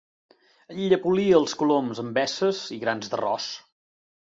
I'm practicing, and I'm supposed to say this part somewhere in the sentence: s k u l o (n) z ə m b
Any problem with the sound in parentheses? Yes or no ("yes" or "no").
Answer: yes